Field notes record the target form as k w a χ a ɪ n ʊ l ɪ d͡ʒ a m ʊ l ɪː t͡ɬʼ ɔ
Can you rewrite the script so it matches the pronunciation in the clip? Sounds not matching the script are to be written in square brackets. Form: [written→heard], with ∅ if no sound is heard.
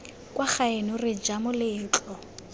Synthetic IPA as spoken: k w a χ a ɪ n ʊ [l→r] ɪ d͡ʒ a m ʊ l ɪː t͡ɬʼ ɔ